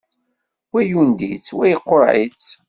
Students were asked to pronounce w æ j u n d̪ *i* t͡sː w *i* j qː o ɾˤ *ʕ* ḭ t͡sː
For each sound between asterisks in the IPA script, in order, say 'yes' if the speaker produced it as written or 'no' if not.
yes, no, yes

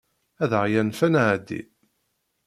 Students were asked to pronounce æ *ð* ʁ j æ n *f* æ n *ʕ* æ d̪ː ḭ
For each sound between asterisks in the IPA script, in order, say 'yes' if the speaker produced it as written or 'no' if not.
yes, yes, yes

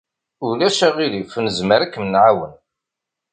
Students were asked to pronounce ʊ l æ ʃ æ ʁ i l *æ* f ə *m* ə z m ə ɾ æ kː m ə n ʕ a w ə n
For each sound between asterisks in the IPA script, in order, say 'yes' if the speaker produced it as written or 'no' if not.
no, no

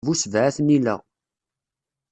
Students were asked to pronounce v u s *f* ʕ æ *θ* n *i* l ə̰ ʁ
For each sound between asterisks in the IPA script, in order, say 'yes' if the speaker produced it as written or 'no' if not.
no, yes, yes

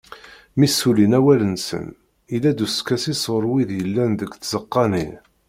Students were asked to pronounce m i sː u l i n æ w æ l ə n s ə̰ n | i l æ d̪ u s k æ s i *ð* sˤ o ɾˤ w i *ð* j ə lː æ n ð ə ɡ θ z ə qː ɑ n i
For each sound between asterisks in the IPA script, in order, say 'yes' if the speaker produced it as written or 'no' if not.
no, yes

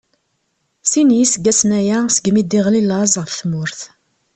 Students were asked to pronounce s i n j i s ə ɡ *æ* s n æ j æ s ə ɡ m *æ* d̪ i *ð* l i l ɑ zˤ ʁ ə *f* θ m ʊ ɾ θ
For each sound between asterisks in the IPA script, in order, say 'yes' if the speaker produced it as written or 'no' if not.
yes, no, no, yes

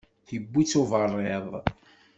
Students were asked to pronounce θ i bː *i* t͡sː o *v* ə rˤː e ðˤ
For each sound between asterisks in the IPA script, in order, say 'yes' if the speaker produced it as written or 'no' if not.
yes, yes

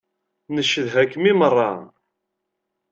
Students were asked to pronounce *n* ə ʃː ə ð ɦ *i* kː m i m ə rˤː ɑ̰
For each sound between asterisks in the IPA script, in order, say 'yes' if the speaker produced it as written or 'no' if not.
yes, no

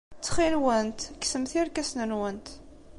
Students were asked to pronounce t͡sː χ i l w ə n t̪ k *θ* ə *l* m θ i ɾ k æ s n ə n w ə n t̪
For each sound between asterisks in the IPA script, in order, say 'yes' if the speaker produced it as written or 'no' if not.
no, no

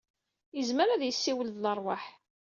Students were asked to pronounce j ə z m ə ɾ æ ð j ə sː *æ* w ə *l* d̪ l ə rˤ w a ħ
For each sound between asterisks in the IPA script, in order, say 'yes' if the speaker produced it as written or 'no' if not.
no, yes

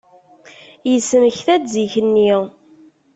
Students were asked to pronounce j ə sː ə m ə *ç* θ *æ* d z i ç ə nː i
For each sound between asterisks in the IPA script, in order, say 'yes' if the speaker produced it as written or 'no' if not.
yes, yes

